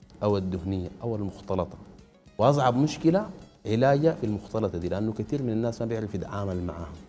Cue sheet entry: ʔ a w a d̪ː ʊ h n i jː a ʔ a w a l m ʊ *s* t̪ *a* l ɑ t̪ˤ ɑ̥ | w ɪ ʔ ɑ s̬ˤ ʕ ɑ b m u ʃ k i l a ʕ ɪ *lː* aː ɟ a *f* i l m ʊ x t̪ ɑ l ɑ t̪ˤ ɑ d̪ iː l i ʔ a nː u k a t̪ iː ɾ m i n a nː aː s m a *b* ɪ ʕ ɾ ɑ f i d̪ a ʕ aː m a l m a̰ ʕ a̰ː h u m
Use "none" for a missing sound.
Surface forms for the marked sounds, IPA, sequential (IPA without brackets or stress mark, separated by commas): x, ɑ, l, f, b